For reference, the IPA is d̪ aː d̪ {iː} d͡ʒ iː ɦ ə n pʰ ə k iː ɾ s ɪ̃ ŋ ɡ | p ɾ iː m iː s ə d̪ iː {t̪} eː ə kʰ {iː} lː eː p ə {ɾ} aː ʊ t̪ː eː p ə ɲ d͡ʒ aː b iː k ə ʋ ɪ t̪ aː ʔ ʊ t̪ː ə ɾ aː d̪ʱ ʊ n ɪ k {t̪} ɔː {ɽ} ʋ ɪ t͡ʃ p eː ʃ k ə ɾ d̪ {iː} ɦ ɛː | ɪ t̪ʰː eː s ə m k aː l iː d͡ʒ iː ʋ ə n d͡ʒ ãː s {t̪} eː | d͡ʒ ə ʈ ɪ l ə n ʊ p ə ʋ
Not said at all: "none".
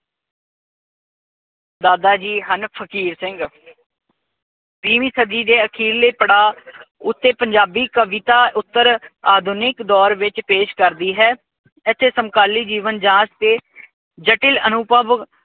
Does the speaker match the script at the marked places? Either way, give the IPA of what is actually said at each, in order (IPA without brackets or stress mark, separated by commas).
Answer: aː, d̪, iː, ɽ, d̪, ɾ, iː, t̪